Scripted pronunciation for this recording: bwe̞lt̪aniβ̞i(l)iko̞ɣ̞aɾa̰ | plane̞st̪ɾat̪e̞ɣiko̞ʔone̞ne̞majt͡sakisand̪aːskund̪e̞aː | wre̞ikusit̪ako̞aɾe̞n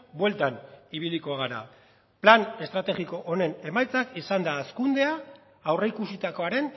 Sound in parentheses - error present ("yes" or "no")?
no